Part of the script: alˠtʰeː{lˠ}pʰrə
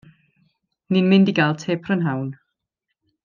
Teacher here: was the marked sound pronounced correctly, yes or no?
no